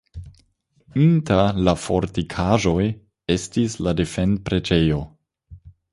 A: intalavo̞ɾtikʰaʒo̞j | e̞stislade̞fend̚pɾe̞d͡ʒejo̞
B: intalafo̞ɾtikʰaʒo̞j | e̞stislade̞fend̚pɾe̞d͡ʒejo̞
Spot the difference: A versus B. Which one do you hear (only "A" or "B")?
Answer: B